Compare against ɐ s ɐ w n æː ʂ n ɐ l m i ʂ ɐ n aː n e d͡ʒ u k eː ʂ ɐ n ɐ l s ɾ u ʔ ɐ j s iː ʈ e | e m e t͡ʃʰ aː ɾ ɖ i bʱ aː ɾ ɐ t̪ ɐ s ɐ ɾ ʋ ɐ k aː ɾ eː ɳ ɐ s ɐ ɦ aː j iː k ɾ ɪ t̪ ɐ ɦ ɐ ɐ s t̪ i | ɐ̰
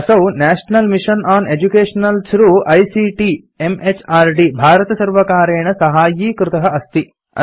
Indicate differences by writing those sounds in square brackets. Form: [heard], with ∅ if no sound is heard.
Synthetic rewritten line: ɐ s ɐ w n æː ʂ n ɐ l m i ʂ ɐ n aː n e d͡ʒ u k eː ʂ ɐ n ɐ l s ɾ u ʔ ɐ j s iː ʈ [i] | e m e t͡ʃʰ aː ɾ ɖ i bʱ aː ɾ ɐ t̪ ɐ s ɐ ɾ ʋ ɐ k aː ɾ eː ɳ ɐ s ɐ ɦ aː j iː k ɾ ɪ t̪ ɐ ɦ ɐ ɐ s t̪ i | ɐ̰